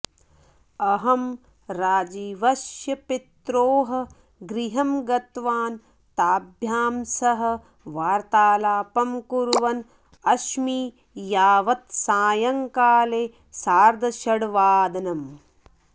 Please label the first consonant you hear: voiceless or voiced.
voiced